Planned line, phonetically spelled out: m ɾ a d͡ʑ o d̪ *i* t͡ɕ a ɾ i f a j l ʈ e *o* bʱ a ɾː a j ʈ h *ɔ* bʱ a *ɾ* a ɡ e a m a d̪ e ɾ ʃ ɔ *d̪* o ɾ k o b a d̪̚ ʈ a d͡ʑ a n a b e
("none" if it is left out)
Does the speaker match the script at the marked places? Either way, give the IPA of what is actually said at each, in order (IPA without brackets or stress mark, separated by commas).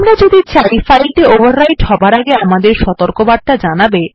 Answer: i, o, ɔ, ɾ, t̪